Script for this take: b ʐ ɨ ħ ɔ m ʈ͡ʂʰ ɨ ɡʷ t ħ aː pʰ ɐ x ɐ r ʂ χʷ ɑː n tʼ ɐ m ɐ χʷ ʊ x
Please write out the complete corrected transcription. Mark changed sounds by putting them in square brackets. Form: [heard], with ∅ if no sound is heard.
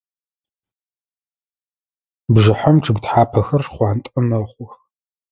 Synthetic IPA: b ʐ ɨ ħ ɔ m ʈ͡ʂʰ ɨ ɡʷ t ħ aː pʰ ɐ x ɐ r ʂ χʷ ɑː n tʼ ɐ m ɐ χʷ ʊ x